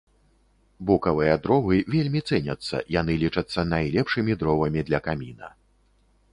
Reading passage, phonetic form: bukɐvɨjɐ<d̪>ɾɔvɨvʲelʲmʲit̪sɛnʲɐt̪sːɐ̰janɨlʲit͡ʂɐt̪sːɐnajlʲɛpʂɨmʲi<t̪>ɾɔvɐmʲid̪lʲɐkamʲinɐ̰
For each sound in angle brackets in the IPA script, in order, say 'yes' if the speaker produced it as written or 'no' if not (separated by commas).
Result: yes, no